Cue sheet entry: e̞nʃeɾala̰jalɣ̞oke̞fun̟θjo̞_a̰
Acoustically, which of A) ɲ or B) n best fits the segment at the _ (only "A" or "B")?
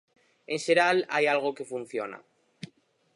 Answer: B